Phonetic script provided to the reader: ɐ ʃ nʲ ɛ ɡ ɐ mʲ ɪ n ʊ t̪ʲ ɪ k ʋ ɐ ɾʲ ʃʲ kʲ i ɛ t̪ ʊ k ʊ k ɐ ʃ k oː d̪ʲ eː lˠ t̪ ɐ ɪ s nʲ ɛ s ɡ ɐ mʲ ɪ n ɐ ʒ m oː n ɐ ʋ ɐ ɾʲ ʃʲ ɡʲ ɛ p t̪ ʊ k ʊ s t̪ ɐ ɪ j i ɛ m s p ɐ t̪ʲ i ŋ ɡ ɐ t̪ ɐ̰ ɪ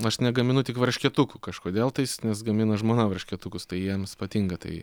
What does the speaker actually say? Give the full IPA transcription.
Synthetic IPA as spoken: ɐ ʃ nʲ ɛ ɡ ɐ mʲ ɪ n ʊ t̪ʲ ɪ k ʋ ɐ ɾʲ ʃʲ kʲ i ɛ t̪ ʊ k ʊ k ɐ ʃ k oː d̪ʲ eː lˠ t̪ ɐ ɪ s nʲ ɛ s ɡ ɐ mʲ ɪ n ɐ ʒ m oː n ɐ ʋ ɐ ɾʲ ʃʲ kʲ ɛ t̪ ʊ k ʊ s t̪ ɐ ɪ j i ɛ m s p ɐ t̪ʲ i ŋ ɡ ɐ t̪ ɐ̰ ɪ